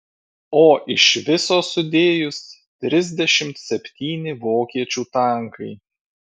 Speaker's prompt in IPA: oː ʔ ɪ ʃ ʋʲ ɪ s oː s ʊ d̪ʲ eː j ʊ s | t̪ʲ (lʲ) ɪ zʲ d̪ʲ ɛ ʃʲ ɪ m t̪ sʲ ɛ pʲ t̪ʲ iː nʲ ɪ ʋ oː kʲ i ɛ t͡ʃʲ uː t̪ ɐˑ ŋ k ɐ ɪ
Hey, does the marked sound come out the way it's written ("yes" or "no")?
no